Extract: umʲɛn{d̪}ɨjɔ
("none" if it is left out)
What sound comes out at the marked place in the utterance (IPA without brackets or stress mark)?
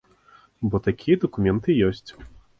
t̪